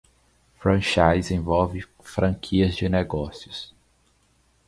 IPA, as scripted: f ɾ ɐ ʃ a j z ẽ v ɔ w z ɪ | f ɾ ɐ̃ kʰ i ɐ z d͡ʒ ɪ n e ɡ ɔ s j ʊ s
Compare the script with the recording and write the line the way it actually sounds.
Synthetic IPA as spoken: f ɾ ɐ̃ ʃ a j z ẽ v ɔ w v ɪ | f ɾ ɐ̃ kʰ i ɐ z d͡ʒ ɪ n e ɡ ɔ s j ʊ s